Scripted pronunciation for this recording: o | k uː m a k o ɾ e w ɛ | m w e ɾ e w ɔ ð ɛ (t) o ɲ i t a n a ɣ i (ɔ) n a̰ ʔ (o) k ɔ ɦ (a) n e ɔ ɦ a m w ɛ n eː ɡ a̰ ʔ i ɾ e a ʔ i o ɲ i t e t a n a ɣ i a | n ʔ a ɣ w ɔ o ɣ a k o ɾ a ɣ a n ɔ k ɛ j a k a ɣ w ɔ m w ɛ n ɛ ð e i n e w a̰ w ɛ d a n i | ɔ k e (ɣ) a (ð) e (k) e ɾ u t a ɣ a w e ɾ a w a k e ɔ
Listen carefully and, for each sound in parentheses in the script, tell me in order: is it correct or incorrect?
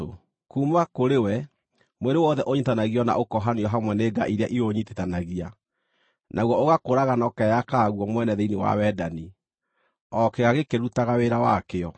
incorrect, correct, correct, correct, correct, incorrect, correct

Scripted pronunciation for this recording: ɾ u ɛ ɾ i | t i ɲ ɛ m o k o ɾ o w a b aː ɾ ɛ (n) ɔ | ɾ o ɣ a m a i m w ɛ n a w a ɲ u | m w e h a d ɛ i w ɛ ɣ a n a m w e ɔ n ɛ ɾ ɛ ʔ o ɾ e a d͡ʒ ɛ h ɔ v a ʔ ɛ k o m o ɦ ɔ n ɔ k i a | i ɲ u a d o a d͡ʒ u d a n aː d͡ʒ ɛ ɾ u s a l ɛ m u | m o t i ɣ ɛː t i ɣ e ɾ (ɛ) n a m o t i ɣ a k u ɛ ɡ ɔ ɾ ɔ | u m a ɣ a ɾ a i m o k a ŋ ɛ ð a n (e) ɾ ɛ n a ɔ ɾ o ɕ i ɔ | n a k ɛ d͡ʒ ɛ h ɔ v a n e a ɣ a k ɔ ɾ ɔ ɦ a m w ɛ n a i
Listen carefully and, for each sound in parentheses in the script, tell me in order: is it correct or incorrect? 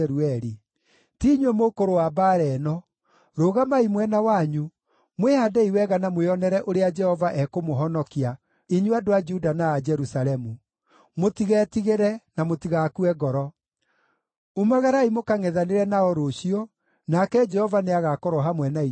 correct, correct, correct

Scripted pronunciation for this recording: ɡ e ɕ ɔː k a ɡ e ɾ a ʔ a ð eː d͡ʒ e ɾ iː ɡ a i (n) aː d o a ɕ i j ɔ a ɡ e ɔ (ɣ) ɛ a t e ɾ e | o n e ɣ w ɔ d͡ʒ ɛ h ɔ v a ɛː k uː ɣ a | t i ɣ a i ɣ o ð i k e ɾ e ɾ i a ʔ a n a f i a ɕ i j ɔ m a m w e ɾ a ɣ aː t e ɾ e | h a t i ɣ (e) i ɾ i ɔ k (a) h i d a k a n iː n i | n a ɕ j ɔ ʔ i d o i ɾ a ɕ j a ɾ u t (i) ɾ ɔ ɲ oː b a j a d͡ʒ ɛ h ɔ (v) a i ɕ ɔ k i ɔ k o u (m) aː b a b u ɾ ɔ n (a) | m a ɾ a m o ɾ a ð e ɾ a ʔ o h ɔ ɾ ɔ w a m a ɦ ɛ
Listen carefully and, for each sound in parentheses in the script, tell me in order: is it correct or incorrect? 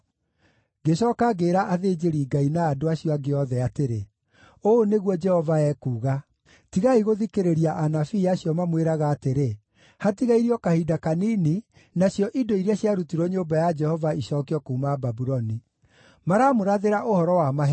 correct, incorrect, incorrect, correct, correct, correct, correct, incorrect

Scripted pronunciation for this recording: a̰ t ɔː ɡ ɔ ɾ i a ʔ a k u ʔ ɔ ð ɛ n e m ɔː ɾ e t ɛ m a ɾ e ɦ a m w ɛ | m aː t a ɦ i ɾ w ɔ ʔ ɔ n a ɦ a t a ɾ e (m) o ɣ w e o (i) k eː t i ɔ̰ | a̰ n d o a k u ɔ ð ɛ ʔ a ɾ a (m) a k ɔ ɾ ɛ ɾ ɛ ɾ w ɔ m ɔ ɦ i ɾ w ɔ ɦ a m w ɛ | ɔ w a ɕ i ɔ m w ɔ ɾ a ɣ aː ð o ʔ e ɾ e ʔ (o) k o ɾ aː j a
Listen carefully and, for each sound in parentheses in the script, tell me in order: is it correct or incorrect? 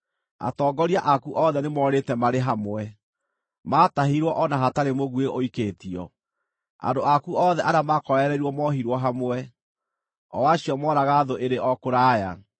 correct, correct, correct, incorrect

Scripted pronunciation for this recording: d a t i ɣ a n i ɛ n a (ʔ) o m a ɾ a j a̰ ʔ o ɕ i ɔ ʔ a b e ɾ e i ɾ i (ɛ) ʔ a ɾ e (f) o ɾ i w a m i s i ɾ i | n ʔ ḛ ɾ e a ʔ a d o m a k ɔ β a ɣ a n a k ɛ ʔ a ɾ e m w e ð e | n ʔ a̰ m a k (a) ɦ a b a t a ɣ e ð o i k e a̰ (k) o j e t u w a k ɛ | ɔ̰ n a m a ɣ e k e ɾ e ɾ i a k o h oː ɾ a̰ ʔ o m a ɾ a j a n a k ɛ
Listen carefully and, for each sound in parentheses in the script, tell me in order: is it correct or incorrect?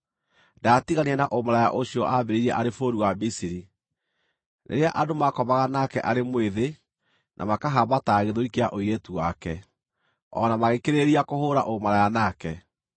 correct, correct, correct, correct, incorrect

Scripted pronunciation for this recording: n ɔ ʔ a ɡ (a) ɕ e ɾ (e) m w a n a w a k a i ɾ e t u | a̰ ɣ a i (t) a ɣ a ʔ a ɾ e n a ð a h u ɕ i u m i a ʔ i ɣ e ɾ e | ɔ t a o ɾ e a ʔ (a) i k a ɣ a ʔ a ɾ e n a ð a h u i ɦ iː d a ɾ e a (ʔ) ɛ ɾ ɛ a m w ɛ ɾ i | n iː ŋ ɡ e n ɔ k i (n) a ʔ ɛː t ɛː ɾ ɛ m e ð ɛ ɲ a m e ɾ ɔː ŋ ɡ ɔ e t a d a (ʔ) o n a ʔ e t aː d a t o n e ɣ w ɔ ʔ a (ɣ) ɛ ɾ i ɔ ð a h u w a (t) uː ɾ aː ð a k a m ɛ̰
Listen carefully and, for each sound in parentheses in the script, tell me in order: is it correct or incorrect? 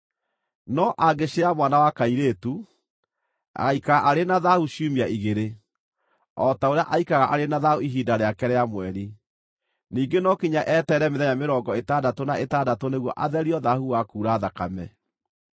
incorrect, incorrect, incorrect, correct, incorrect, incorrect, incorrect, incorrect, incorrect

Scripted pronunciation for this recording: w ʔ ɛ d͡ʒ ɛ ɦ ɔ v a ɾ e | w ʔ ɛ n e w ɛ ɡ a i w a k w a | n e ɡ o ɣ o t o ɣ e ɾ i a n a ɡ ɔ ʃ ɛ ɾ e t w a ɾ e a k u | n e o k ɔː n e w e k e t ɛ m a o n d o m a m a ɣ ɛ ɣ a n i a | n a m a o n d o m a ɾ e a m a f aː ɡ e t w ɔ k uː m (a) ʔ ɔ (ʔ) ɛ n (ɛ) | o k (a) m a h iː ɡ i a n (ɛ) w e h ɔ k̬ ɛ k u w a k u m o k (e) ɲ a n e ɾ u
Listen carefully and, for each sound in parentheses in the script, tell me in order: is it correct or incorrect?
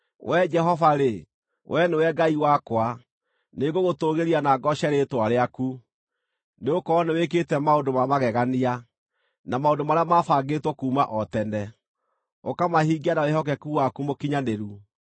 correct, incorrect, correct, correct, incorrect, incorrect

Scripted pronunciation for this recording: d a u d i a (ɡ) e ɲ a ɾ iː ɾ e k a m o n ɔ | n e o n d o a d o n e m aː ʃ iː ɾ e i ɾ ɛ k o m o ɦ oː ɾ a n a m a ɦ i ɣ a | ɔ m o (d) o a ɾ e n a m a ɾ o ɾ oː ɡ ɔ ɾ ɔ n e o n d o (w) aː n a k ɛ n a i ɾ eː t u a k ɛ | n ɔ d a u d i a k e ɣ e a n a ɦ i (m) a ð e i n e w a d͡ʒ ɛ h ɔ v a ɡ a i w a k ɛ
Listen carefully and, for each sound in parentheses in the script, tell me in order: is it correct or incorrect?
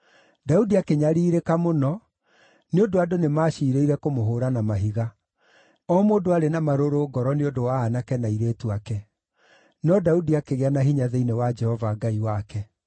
incorrect, correct, correct, incorrect

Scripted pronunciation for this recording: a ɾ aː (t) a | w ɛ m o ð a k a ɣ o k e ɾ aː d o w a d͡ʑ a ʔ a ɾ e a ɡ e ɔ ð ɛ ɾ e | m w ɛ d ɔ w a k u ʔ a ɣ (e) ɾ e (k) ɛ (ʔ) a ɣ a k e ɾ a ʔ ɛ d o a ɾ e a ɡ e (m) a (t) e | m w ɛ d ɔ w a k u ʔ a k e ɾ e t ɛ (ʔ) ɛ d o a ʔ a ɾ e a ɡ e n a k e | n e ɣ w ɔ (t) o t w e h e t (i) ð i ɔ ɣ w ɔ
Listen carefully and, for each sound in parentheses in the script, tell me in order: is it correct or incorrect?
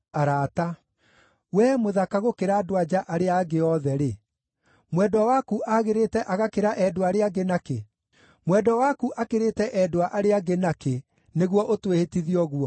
correct, correct, incorrect, correct, incorrect, incorrect, correct, incorrect, correct

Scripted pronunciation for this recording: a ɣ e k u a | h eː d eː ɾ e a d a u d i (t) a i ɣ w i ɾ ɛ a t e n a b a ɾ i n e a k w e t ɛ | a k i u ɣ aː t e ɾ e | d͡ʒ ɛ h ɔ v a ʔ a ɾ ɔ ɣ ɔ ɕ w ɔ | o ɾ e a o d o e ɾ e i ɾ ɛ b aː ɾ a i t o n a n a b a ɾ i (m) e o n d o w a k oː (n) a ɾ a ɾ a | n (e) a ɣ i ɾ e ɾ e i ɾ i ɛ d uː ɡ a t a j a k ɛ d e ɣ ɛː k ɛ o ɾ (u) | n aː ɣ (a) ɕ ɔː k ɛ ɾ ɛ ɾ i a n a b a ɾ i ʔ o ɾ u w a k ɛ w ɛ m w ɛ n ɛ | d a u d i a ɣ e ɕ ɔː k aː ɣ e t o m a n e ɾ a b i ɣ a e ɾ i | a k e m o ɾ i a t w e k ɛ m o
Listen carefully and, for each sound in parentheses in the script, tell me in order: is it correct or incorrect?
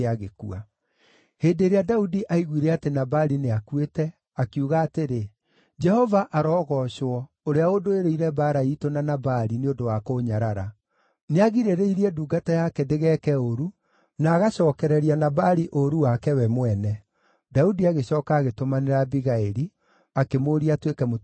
incorrect, incorrect, incorrect, correct, correct, correct

